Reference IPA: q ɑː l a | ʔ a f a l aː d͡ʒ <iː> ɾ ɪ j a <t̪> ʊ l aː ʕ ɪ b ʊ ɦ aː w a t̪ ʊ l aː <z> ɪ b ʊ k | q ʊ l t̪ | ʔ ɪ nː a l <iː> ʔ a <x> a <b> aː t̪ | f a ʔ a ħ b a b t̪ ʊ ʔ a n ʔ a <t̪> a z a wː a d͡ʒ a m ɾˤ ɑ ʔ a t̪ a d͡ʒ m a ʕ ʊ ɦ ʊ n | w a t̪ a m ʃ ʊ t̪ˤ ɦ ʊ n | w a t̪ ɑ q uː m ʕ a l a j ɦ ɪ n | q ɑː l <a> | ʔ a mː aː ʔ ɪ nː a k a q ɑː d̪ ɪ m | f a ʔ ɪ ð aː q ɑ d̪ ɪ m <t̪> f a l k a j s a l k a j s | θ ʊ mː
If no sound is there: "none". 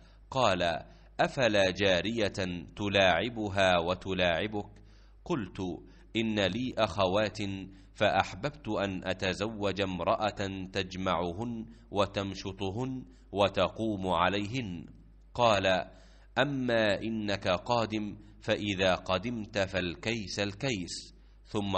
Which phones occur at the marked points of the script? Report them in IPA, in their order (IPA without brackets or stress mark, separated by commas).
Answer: aː, t̪, ʕ, iː, x, w, t̪, a, t̪